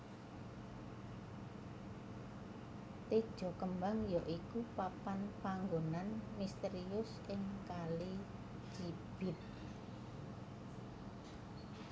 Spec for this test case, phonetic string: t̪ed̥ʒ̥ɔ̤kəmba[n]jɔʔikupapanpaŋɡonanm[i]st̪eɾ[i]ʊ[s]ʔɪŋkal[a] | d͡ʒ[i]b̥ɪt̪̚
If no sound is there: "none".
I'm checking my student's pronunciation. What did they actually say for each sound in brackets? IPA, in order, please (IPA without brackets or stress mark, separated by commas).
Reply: ŋ, i, i, s, i, i